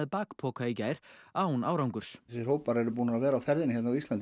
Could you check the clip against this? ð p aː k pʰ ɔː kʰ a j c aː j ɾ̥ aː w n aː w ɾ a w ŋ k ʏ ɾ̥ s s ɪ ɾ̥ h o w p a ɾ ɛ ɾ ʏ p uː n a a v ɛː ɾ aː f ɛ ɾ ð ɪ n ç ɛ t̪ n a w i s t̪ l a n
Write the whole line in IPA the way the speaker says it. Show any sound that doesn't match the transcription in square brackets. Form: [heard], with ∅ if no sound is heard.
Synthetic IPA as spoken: ð p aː k pʰ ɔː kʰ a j c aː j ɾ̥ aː w n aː w ɾ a w ŋ k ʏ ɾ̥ s s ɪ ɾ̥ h o w p a ɾ ɛ ɾ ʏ p uː n a a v ɛː ɾ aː f ɛ ɾ ð ɪ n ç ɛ t̪ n a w i s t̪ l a n